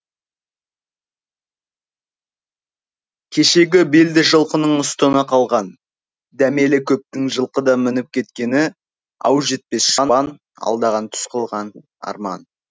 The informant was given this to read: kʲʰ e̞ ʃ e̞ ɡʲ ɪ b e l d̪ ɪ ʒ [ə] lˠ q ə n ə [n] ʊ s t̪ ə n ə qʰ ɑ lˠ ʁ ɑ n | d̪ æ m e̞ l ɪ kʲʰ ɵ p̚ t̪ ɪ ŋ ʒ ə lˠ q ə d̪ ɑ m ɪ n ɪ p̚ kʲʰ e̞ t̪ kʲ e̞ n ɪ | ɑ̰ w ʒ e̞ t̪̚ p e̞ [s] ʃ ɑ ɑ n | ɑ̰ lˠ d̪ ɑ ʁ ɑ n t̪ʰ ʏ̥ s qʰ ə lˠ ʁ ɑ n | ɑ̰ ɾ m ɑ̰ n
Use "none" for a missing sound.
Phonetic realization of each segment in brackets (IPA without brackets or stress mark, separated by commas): ə, ɴ, s